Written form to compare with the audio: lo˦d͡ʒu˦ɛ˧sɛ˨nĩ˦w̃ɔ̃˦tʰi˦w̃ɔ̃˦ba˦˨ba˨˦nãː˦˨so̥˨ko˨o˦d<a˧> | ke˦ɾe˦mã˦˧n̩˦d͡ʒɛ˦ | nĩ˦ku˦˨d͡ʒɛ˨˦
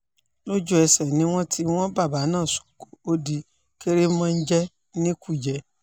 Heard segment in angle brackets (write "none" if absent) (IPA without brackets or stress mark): i˧